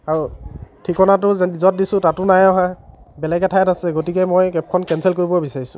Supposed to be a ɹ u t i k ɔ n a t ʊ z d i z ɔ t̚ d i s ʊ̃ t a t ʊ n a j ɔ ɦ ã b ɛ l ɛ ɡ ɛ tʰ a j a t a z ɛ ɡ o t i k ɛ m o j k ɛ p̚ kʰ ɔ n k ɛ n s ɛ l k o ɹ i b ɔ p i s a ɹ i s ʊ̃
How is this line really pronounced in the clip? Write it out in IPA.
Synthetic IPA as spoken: a ɹ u tʰ i k ɔ n a t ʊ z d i z ɔ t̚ d i s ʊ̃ t a t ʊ n a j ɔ ɦ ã b ɛ l ɛ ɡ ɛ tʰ a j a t a s ɛ ɡ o t i k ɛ m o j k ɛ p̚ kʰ ɔ n k ɛ n s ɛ l k o ɹ i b ɔ b i s a ɹ i s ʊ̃